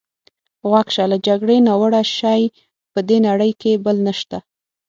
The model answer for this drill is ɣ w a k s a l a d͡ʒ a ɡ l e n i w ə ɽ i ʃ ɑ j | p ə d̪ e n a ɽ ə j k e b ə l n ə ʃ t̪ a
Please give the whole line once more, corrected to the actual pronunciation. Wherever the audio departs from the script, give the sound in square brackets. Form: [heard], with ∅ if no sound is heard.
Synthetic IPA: ɣ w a k [ʃ] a l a d͡ʒ a ɡ [ɽ] e n [a] w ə ɽ [a] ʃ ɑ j | p ə d̪ e n a ɽ ə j k e b ə l n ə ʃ t̪ a